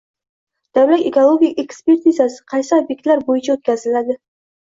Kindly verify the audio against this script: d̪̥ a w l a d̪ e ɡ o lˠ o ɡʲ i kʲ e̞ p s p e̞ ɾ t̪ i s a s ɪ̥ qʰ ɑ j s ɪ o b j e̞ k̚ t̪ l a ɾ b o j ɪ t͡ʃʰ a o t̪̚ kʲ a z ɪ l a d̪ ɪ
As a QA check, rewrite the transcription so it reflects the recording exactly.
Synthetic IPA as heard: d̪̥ a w l a t̪ e k o lˠ o ɡʲ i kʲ e̞ k s p e̞ ɾ t̪ i z a s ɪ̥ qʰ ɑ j s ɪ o b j e̞ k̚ t̪ l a ɾ b o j ɪ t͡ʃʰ a o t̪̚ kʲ a z ɪ l a d̪ ɪ